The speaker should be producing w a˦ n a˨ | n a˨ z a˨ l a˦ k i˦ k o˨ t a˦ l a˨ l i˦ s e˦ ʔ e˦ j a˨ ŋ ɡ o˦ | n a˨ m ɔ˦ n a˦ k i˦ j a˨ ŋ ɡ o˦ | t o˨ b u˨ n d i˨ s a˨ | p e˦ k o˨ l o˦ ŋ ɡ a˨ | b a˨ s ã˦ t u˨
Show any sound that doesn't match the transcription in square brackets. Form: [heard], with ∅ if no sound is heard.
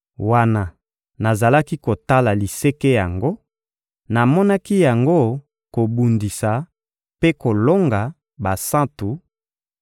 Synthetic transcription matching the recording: w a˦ n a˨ | n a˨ z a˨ l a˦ k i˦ k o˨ t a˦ l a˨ l [i˨] s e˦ [k] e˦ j a˨ ŋ ɡ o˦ | n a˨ m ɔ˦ n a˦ k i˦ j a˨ ŋ ɡ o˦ | [k] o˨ b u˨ n d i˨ s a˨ | p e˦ k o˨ l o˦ ŋ ɡ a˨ | b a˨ s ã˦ t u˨